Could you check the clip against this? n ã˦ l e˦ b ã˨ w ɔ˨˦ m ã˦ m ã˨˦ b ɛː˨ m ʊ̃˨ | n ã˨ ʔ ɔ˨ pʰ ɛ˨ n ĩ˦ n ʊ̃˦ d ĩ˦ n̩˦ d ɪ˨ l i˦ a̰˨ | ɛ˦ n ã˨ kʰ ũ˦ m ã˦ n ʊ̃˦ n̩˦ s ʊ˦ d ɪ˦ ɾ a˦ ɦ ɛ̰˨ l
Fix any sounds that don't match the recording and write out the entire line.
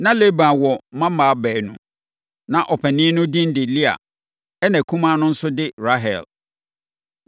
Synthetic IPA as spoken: n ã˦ l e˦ b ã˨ w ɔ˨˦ m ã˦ m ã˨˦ b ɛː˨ n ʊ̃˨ | n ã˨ ʔ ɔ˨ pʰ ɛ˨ n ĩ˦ n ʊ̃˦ d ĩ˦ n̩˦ d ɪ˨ l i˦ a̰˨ | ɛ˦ n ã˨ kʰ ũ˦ m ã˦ n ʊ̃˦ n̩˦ s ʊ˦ d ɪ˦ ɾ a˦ ɦ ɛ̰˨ l